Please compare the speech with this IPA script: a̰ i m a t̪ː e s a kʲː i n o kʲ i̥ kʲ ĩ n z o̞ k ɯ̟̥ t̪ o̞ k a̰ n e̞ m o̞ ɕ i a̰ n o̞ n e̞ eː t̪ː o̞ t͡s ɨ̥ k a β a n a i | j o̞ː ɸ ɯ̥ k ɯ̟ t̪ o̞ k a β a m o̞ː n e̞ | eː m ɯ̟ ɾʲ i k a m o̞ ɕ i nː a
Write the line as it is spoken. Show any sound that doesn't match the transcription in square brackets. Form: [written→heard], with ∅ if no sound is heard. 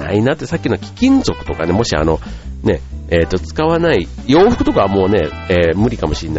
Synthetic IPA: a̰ i [m→n] a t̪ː e s a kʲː i n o kʲ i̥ kʲ ĩ n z o̞ k ɯ̟̥ t̪ o̞ k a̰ n e̞ m o̞ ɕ i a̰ n o̞ n e̞ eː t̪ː o̞ t͡s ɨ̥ k a β a n a i | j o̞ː ɸ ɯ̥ k ɯ̟ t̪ o̞ k a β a m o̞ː n e̞ | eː m ɯ̟ ɾʲ i k a m o̞ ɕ i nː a